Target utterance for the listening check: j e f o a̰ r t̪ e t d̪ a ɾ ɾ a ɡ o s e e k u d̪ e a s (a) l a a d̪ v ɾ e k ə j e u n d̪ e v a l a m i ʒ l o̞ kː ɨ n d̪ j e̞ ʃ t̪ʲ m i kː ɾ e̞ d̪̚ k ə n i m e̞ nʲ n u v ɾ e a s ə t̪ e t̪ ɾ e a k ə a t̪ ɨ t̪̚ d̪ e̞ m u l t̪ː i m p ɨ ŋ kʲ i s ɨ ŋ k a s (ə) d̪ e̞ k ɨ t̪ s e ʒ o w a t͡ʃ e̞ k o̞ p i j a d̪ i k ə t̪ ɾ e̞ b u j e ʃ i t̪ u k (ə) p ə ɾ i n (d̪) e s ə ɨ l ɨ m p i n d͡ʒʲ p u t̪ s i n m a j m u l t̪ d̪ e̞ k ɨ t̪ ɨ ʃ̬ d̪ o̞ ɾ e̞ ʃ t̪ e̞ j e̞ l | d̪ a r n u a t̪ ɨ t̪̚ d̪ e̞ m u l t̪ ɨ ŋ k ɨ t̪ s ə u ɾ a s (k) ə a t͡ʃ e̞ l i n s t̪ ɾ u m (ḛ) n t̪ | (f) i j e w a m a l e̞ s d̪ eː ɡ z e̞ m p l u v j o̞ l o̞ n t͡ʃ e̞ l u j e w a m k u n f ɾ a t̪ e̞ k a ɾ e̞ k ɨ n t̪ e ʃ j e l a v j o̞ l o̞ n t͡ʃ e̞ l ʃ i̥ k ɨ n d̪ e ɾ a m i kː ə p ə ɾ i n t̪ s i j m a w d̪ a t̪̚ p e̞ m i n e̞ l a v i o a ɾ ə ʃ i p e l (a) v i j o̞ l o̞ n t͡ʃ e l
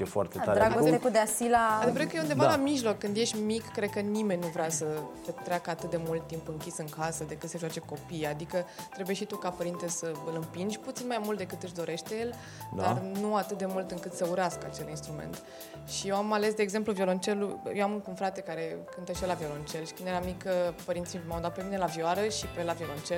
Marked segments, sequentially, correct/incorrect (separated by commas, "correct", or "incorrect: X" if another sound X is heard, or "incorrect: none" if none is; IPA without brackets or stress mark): incorrect: i, correct, incorrect: a, incorrect: t̪, correct, correct, incorrect: ʃ, correct